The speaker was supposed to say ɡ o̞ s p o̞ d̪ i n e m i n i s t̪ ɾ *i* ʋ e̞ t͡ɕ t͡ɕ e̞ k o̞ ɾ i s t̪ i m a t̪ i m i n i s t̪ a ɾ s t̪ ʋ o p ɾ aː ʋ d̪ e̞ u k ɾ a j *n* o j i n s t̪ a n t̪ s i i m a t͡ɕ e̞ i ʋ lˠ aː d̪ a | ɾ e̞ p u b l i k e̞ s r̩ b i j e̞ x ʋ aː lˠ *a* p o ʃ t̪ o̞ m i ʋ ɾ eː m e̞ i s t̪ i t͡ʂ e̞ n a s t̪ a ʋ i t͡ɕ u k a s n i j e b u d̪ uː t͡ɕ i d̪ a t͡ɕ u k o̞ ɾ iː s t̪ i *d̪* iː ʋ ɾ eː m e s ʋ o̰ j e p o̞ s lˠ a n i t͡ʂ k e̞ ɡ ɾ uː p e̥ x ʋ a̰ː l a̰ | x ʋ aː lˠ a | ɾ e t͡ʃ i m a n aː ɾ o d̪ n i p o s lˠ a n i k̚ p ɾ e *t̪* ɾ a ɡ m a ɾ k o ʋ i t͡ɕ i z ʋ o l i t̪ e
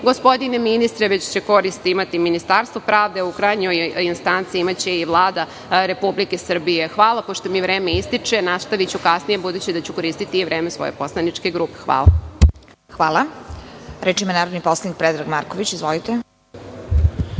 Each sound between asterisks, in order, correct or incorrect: incorrect, incorrect, correct, incorrect, incorrect

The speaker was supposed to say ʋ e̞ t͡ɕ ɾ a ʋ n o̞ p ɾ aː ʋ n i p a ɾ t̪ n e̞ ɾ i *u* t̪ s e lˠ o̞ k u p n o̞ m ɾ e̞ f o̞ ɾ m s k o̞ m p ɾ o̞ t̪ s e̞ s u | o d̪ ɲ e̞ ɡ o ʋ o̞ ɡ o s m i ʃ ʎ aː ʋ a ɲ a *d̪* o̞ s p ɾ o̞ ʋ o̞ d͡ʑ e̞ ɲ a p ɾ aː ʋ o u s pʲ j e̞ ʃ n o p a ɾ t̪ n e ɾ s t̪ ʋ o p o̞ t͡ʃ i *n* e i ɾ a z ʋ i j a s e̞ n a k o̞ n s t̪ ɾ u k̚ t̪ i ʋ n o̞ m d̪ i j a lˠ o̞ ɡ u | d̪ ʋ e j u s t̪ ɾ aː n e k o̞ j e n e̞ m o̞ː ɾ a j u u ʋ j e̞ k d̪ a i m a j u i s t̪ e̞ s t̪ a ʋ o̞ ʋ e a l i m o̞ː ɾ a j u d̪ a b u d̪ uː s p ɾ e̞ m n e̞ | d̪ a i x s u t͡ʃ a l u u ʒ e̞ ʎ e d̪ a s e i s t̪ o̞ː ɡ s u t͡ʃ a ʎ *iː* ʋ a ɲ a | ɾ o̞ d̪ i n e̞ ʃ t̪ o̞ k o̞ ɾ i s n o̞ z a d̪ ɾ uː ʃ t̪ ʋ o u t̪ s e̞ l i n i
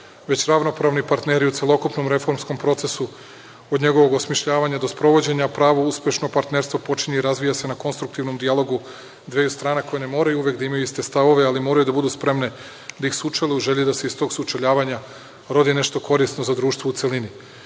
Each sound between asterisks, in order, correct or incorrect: correct, correct, incorrect, incorrect

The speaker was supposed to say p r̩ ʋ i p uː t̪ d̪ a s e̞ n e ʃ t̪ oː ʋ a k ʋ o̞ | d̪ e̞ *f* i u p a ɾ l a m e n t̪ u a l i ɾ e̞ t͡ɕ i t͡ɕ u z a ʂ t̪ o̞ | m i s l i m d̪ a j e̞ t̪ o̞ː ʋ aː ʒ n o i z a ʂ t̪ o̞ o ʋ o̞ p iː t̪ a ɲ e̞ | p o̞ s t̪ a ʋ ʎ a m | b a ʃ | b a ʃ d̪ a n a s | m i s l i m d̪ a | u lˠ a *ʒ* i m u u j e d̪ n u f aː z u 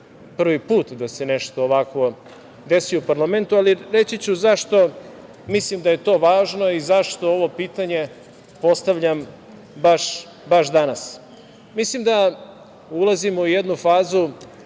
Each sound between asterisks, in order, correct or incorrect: incorrect, incorrect

